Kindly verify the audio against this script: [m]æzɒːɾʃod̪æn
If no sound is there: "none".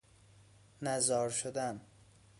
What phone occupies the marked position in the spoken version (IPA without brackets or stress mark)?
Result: n